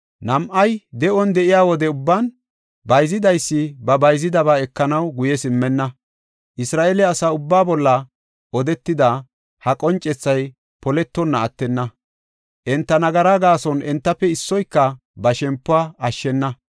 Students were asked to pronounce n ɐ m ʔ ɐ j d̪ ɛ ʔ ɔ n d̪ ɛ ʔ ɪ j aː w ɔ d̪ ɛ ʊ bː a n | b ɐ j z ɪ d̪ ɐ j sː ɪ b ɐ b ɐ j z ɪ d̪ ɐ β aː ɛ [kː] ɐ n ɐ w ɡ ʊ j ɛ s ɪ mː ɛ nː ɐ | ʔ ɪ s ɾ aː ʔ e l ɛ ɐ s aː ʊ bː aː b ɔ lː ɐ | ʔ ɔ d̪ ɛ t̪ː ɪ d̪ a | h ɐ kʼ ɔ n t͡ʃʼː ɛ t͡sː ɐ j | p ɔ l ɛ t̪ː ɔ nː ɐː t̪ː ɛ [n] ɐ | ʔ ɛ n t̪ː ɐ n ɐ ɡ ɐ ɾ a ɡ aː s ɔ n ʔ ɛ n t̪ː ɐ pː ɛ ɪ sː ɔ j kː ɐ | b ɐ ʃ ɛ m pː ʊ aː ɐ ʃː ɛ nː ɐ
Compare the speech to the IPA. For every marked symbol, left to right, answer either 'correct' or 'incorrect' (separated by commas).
correct, incorrect